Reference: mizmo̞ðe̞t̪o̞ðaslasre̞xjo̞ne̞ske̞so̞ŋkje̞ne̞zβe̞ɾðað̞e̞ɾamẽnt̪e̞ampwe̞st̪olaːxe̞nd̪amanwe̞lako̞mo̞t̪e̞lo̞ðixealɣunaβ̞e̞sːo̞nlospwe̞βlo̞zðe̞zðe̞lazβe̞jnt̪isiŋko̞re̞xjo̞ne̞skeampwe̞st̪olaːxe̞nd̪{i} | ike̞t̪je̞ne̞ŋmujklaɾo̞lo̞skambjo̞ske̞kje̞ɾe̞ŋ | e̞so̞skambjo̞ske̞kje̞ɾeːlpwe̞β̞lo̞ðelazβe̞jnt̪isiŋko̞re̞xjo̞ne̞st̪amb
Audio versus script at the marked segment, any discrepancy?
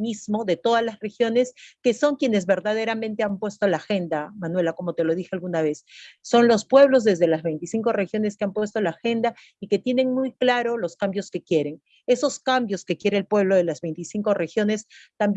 yes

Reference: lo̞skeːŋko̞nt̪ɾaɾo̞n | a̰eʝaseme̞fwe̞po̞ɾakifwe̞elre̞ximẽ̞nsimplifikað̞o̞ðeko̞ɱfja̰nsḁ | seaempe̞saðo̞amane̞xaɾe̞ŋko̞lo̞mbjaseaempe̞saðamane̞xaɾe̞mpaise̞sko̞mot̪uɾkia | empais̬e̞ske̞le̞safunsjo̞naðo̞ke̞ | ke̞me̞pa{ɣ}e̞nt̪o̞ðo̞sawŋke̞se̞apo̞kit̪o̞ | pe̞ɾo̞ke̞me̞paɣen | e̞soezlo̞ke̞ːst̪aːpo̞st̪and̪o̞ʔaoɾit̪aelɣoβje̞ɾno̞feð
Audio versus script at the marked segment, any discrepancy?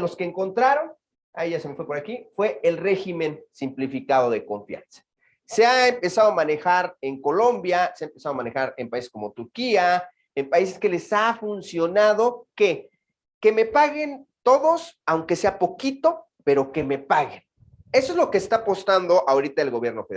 no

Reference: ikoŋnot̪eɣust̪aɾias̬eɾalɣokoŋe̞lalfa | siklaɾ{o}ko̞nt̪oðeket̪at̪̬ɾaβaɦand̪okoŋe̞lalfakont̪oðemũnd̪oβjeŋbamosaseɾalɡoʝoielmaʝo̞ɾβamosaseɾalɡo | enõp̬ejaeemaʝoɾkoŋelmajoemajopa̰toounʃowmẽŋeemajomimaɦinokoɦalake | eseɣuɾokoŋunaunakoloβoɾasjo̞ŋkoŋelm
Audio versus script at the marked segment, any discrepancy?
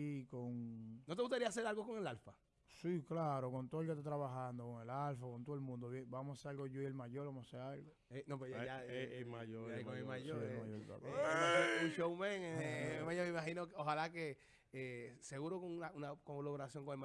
no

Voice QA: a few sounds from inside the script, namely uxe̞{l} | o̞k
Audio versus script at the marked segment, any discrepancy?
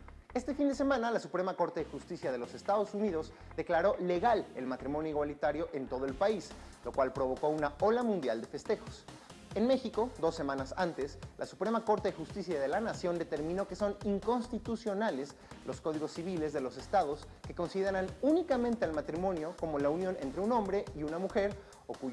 yes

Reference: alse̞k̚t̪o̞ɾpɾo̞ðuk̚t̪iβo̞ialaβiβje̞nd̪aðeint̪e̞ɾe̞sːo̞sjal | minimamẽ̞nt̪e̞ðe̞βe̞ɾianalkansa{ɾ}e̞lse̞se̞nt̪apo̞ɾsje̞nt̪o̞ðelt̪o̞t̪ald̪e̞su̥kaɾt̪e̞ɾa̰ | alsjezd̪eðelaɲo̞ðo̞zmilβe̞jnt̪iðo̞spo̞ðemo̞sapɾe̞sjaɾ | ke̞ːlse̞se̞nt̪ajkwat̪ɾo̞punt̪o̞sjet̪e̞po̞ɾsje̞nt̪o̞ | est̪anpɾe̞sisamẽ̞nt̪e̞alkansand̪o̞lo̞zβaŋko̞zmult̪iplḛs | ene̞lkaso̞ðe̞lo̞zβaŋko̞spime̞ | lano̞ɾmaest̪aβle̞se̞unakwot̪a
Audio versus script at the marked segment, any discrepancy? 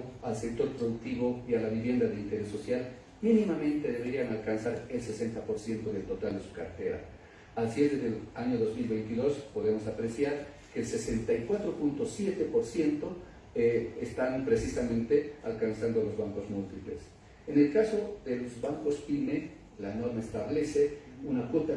no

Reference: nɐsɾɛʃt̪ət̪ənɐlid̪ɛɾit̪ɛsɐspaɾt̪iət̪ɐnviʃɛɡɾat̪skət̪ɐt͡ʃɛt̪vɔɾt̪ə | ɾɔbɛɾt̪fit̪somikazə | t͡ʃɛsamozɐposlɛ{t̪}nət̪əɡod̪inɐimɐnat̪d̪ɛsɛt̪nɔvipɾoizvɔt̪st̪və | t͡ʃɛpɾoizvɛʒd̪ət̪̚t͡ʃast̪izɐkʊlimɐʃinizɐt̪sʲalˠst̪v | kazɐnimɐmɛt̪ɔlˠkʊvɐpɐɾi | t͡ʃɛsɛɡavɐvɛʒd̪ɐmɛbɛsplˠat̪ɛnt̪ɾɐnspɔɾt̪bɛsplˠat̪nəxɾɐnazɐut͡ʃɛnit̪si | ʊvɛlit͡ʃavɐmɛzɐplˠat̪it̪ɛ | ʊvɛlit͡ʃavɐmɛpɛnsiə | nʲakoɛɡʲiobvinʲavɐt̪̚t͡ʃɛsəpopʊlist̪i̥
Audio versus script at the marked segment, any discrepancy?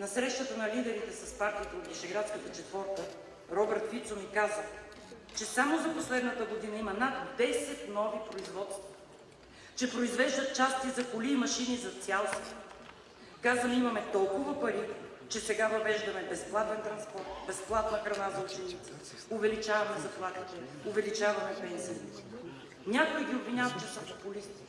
yes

